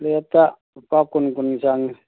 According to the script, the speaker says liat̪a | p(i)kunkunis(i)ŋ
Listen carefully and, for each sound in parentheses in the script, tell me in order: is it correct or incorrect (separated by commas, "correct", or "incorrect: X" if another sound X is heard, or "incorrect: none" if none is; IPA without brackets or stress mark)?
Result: incorrect: a, incorrect: a